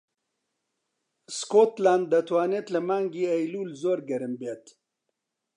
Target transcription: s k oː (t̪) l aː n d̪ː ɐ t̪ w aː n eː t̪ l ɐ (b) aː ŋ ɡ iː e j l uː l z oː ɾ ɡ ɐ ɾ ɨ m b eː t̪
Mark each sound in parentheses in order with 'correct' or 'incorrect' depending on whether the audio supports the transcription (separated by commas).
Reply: correct, incorrect